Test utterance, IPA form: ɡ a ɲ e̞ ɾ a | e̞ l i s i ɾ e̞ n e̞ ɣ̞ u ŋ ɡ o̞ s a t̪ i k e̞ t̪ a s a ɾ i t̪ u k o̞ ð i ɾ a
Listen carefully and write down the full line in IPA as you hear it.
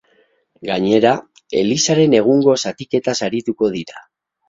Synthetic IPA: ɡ a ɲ e̞ ɾ a | e̞ l i s a ɾ e̞ n e̞ ɣ̞ u ŋ ɡ o̞ s a t̪ i k e̞ t̪ a s a ɾ i t̪ u k o̞ ð i ɾ a